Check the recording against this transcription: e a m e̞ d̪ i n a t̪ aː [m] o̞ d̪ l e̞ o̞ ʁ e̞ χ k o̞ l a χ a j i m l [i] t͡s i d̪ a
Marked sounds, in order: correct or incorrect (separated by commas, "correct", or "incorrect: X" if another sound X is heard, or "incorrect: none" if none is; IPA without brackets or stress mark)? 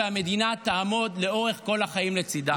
correct, incorrect: e